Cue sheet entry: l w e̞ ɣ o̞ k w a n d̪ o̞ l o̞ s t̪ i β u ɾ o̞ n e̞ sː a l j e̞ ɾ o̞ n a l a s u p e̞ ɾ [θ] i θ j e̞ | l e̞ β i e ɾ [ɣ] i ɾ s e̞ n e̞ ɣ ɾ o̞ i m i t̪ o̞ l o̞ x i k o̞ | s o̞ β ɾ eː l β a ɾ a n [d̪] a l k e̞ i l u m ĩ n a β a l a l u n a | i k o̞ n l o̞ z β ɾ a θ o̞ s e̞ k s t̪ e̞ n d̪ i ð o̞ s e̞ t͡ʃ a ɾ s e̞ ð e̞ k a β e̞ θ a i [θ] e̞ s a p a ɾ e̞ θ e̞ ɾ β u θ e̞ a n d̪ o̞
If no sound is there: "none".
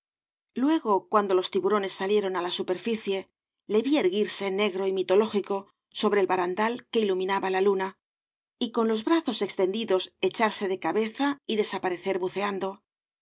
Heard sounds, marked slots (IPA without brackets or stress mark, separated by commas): f, ɣ, d̪, ð